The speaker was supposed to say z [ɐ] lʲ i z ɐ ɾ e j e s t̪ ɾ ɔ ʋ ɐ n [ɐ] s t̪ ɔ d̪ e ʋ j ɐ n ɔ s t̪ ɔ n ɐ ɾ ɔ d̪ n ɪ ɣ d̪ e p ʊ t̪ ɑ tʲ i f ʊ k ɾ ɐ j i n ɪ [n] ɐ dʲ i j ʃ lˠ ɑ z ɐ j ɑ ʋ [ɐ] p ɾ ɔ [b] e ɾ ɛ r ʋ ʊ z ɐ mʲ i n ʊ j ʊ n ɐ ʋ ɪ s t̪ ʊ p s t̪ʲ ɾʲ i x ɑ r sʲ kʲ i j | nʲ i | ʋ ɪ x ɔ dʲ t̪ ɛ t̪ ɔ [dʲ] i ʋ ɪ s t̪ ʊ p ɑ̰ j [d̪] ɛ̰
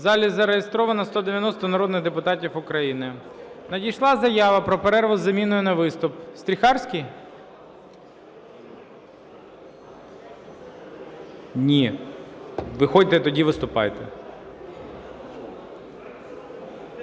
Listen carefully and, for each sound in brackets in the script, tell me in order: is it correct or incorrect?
incorrect: ɑ, correct, correct, correct, incorrect: p, correct, incorrect: t̪

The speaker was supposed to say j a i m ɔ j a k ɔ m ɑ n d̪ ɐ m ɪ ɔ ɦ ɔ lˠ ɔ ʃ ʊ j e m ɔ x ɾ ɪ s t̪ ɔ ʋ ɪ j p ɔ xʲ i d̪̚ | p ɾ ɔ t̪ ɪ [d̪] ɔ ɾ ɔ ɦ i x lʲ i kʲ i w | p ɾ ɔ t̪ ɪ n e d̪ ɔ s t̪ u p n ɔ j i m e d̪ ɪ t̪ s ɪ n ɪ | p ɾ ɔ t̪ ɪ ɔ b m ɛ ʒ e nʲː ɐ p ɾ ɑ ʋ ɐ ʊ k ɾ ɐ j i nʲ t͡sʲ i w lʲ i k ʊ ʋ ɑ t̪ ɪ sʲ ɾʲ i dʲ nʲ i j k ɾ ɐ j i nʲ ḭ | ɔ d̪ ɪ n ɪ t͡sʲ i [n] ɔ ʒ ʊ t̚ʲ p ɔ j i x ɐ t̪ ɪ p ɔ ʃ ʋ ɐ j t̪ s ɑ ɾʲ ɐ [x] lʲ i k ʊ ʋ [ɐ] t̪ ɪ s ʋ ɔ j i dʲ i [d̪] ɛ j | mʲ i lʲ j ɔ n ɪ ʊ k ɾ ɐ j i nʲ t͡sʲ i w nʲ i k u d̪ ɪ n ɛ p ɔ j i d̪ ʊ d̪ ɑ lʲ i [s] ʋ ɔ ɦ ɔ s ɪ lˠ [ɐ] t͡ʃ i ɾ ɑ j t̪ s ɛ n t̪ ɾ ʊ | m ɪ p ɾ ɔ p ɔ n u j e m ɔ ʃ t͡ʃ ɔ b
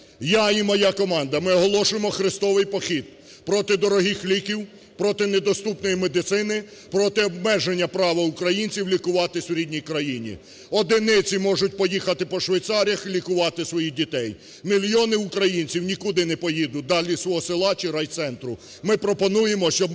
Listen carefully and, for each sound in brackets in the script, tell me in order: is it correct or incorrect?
correct, incorrect: m, correct, incorrect: ɑ, incorrect: t̪, correct, incorrect: ɑ

